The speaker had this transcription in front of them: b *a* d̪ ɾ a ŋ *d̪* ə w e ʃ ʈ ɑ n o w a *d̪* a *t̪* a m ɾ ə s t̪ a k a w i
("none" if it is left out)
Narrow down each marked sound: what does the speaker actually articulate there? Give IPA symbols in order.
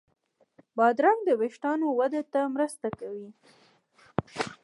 ɑ, d̪, d̪, t̪

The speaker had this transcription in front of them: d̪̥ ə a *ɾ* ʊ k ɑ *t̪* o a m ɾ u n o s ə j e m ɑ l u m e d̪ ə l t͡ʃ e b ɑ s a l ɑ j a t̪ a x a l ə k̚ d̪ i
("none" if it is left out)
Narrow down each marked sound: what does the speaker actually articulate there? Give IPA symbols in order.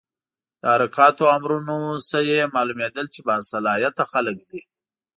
ɾ, t̪

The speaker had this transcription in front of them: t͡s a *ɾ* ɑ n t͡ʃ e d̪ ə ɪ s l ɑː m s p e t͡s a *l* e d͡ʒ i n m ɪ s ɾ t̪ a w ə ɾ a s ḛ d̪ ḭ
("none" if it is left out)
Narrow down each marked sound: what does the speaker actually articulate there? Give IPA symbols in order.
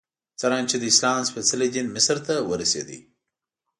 ɾ, l

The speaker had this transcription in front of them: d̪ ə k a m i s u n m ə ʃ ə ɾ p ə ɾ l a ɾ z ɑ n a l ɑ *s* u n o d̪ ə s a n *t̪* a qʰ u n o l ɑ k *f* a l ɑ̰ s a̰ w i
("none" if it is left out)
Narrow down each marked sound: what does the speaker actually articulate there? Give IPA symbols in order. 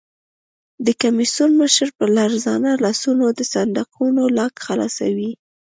s, d̪, x

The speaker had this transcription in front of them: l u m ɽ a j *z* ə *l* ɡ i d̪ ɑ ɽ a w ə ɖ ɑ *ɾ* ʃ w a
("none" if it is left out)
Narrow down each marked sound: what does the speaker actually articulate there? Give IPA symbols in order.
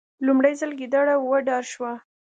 z, l, ɾ

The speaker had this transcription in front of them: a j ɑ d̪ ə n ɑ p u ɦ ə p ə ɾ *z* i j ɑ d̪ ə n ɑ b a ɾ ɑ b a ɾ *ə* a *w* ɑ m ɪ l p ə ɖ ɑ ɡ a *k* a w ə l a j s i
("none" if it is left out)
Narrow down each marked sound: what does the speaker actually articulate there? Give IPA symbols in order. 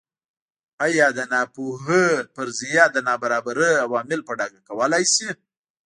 z, ə, w, k

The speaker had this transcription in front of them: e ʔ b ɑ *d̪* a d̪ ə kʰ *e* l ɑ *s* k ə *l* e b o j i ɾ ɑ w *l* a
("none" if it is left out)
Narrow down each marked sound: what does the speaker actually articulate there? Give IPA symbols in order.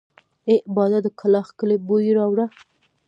d̪, a, x, l, ɽ

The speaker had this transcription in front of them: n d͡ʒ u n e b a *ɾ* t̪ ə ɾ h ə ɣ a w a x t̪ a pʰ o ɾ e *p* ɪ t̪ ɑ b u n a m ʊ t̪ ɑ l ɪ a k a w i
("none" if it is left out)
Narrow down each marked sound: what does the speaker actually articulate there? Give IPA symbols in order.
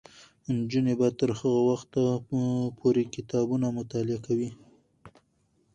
none, k

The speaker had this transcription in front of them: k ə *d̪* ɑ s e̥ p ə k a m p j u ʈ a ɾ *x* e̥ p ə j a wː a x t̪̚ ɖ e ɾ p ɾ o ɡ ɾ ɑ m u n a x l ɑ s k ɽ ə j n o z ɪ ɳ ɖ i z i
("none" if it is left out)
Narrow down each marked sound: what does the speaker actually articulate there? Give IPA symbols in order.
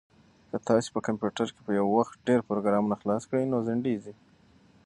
t̪, k

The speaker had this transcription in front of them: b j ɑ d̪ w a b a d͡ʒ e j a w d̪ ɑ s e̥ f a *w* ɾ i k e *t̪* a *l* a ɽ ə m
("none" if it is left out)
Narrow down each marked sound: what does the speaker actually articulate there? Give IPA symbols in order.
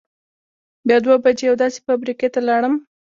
b, t̪, l

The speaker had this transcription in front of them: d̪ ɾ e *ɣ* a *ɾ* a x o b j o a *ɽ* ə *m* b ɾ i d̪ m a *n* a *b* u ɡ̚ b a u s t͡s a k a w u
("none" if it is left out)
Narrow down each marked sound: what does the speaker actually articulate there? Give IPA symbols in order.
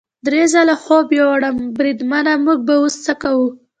z, l, ɽ, m, n, m

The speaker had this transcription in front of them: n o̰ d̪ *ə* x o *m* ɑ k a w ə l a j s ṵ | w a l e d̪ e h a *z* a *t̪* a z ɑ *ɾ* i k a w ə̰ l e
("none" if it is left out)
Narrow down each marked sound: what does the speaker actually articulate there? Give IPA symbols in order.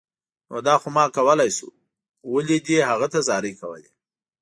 ɑ, m, ɣ, t̪, ɾ

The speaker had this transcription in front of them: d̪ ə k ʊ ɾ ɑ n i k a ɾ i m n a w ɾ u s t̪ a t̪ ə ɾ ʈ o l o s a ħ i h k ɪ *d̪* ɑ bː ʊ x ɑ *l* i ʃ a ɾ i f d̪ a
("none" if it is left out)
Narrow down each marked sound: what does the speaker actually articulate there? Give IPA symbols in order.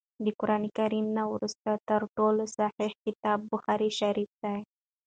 t̪, ɾ

